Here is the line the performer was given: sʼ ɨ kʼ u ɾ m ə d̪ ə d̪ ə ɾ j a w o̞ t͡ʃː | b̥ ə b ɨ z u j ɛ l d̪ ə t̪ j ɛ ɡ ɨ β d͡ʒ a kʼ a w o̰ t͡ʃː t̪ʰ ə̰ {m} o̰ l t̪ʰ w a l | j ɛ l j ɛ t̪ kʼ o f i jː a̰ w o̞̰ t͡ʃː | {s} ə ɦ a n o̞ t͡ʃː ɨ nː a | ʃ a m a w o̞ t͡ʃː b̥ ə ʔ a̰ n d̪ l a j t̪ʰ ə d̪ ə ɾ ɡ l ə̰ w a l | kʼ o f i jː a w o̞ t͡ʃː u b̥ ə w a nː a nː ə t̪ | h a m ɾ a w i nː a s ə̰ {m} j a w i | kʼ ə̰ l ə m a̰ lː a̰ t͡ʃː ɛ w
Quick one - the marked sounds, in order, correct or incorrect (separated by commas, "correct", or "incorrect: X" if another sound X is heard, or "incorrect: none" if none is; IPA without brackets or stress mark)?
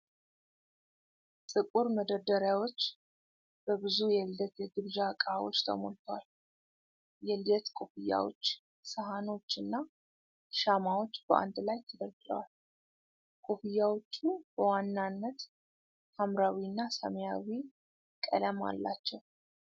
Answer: correct, correct, correct